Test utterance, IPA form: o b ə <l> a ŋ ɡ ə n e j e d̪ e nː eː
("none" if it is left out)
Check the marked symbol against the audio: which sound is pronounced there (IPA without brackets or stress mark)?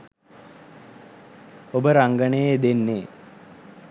ɾ